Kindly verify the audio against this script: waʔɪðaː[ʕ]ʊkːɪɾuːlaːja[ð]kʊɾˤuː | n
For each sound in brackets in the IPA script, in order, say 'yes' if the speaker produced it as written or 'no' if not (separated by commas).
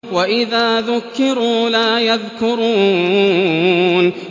no, yes